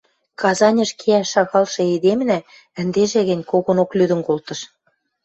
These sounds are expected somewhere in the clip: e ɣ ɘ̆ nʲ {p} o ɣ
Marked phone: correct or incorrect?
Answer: incorrect